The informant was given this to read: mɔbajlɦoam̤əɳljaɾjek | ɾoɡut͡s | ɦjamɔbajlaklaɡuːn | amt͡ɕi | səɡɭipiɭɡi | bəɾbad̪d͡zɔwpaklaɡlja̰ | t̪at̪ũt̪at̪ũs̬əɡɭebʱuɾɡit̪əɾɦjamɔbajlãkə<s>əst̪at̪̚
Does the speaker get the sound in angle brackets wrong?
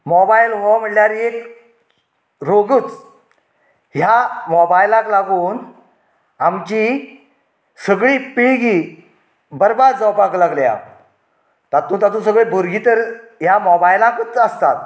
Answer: yes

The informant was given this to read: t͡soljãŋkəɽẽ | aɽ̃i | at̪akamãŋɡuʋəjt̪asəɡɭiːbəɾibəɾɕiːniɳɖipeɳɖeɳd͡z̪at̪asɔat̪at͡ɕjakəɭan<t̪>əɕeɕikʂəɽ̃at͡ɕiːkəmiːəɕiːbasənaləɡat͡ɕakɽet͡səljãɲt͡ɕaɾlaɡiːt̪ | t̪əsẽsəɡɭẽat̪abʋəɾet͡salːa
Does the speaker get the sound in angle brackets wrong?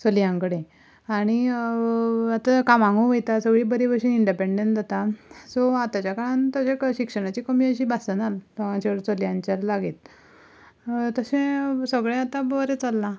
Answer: no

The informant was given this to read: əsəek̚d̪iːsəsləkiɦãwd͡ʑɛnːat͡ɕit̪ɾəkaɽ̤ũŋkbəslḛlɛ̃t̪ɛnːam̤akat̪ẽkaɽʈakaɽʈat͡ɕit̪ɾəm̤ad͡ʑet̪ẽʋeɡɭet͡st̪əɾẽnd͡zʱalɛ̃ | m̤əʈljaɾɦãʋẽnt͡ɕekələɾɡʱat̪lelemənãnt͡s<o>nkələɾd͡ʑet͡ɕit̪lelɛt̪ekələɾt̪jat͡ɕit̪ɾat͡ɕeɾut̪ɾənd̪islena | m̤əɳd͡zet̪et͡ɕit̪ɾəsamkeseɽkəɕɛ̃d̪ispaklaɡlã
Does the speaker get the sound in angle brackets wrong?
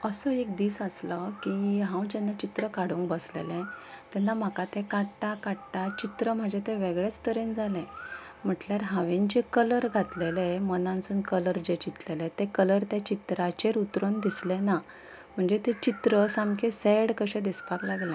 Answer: yes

